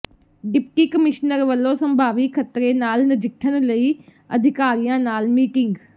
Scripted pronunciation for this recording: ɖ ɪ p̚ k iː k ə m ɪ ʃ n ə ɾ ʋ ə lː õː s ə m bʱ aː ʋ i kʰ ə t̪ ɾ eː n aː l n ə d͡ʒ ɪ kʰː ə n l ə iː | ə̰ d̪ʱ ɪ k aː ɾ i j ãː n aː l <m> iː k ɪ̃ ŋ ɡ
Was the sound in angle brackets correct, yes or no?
yes